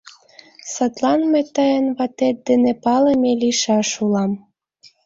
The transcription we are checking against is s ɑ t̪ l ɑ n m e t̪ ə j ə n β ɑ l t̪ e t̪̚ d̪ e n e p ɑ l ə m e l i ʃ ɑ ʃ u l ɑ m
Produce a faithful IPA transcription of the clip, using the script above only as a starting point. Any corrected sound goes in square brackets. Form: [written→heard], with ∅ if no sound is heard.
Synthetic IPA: s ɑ t̪ l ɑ n m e t̪ [ə→ɑ] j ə n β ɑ [l→∅] t̪ e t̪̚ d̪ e n e p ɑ l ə m e l i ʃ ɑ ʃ u l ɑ m